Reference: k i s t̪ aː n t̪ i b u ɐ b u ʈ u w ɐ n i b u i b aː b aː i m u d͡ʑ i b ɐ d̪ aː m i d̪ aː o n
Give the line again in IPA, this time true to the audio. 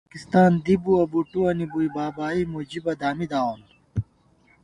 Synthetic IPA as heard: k i s t̪ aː n d̪ i b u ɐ b u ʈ u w ɐ n i b u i b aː b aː i m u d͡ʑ i b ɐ d̪ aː m i d̪ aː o n